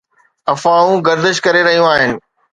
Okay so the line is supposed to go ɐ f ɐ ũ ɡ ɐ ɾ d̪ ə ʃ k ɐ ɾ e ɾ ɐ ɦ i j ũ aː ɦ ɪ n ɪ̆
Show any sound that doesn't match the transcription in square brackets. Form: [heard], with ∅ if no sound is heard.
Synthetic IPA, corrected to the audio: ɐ f [a] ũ ɡ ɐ ɾ d̪ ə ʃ k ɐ ɾ e ɾ ɐ ɦ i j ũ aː ɦ ɪ n ɪ̆